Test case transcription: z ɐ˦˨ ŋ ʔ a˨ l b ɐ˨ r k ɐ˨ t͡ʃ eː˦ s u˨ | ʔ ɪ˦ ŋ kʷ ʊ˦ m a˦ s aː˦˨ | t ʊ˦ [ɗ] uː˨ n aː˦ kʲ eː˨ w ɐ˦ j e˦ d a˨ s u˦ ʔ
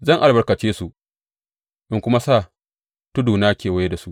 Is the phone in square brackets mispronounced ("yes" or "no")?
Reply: yes